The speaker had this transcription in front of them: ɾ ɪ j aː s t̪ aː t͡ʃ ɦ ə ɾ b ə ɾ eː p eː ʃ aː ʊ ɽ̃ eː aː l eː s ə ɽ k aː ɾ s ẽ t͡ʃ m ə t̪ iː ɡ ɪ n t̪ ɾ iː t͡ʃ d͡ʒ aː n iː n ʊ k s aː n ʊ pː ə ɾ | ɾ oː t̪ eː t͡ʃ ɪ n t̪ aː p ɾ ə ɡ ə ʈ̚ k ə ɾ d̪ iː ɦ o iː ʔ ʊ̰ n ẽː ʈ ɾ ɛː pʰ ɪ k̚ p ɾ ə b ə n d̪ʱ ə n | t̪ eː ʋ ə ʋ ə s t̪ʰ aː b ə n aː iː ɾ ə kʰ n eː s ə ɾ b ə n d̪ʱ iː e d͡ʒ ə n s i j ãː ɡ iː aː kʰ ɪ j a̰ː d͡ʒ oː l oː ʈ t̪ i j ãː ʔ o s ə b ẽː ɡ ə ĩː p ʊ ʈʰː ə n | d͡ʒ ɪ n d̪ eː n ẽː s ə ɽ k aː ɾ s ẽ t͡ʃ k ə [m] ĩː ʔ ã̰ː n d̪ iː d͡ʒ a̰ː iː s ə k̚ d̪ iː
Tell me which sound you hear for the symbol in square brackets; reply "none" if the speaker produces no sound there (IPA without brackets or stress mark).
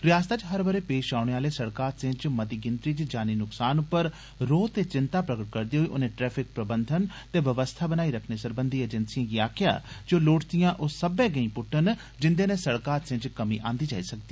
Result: m